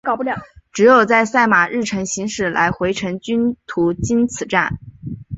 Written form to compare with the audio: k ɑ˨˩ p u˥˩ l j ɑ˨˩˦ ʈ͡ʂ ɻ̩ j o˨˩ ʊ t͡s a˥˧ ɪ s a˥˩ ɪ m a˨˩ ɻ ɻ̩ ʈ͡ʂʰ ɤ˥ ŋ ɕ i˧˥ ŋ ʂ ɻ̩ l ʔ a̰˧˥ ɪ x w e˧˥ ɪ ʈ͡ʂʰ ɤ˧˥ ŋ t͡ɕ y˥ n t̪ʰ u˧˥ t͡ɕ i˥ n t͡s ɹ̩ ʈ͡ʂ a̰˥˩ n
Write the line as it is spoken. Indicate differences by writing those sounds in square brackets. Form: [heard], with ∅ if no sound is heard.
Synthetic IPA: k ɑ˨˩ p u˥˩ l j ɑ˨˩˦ ʈ͡ʂ ɻ̩ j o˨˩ ʊ t͡s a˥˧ ɪ s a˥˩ ɪ m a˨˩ ɻ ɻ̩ ʈ͡ʂʰ [ɤ˧˥] ŋ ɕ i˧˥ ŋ ʂ ɻ̩ l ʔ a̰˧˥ ɪ x w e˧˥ ɪ ʈ͡ʂʰ ɤ˧˥ ŋ t͡ɕ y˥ n t̪ʰ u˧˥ t͡ɕ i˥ n [t͡sʰ] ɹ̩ ʈ͡ʂ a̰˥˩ n

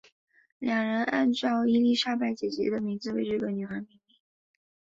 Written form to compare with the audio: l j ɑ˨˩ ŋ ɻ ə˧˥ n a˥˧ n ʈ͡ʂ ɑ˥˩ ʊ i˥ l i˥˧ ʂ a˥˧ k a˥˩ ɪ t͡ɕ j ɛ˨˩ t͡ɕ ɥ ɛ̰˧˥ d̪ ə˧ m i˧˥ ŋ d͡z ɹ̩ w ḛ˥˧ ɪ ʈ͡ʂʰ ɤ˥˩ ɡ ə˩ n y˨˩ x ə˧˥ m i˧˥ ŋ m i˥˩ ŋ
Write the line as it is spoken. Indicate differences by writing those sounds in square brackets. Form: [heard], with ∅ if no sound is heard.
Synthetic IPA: l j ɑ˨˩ ŋ ɻ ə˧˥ n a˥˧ n ʈ͡ʂ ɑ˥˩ ʊ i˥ l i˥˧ ʂ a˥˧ [p] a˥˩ ɪ t͡ɕ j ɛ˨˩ t͡ɕ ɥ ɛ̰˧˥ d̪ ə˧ m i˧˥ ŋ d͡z ɹ̩ w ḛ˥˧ ɪ [ʈ͡ʂ] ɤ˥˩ ɡ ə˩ n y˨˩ x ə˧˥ m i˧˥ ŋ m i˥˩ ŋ

